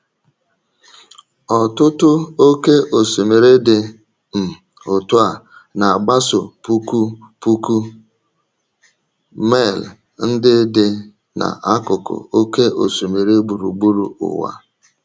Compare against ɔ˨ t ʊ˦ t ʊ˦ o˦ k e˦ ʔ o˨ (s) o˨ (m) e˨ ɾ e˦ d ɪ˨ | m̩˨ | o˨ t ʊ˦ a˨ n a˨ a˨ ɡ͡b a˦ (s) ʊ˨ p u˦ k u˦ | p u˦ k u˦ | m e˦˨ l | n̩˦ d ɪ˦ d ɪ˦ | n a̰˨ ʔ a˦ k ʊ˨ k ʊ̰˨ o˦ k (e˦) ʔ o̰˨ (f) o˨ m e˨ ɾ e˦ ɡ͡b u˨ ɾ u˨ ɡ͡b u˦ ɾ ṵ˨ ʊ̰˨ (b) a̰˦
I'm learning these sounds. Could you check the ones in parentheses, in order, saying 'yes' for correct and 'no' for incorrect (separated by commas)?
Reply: yes, yes, yes, yes, no, no